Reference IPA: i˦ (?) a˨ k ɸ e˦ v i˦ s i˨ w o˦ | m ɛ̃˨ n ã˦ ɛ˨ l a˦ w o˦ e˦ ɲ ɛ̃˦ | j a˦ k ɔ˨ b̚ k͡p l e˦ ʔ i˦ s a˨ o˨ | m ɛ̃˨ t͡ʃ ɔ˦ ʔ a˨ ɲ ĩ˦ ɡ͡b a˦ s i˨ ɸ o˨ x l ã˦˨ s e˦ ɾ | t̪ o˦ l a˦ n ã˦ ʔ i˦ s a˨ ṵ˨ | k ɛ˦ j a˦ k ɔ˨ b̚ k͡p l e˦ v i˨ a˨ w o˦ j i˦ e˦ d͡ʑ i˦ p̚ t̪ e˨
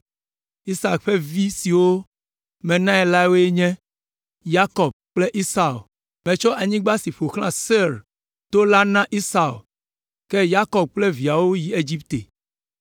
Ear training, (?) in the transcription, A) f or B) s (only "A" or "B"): B